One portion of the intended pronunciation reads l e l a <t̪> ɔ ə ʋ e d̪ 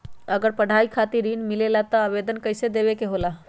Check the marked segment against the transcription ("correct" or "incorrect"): correct